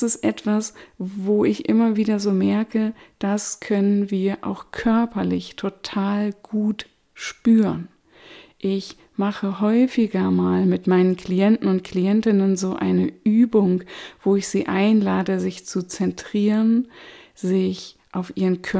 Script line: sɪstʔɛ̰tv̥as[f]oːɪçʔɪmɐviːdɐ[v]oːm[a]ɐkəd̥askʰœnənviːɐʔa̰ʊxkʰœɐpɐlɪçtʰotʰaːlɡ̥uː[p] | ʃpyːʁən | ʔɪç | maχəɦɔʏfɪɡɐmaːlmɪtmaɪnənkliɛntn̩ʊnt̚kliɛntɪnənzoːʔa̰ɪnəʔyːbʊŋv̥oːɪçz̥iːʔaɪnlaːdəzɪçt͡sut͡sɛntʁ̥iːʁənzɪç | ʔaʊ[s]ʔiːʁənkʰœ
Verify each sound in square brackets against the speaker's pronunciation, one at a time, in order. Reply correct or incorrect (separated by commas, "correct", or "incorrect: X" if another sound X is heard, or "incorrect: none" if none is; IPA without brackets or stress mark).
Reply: incorrect: v, incorrect: z, incorrect: ɛ, incorrect: t, incorrect: f